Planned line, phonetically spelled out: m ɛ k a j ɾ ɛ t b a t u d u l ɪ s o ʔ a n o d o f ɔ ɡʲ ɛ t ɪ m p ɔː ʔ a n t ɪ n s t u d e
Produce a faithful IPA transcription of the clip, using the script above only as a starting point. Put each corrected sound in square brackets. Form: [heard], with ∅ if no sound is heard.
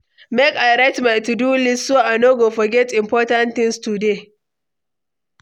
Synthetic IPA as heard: m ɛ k a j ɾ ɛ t [m] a t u d u l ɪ s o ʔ a n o [ɡ] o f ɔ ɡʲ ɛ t ɪ m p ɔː [t] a n t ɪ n s t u d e